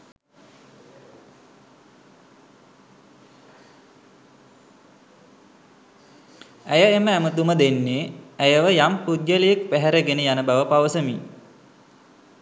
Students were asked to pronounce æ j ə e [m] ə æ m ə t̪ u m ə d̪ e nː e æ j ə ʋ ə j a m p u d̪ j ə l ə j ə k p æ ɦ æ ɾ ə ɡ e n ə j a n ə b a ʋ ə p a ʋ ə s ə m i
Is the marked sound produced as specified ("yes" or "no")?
yes